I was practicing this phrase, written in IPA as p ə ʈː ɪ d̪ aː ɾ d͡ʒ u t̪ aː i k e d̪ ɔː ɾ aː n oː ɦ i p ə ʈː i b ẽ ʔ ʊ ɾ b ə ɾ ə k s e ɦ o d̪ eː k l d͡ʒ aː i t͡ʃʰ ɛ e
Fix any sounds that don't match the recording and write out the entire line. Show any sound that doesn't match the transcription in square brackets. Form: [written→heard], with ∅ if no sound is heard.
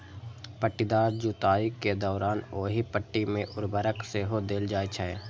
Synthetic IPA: p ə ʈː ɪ d̪ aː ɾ d͡ʒ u t̪ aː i k e d̪ ɔː ɾ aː n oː ɦ i p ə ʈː i [b→m] ẽ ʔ ʊ ɾ b ə ɾ ə k s e ɦ o d̪ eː [k→∅] l d͡ʒ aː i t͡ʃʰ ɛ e

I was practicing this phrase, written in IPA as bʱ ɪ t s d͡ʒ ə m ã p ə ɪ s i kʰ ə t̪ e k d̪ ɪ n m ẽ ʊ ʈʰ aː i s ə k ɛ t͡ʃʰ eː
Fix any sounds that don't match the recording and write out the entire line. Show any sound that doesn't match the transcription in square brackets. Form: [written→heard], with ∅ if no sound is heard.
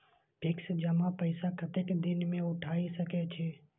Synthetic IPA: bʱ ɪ [t→k] s d͡ʒ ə m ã p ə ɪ s [i→a] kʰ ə t̪ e k d̪ ɪ n m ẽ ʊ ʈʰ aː i s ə k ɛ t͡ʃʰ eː

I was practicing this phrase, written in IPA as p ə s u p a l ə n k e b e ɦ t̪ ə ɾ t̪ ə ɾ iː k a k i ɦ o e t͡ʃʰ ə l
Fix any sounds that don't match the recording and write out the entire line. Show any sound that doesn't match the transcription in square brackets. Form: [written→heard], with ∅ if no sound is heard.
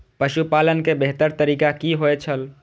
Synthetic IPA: p ə [s→ʃ] u p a l ə n k e b e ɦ t̪ ə ɾ t̪ ə ɾ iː k a k i ɦ o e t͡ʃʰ ə l

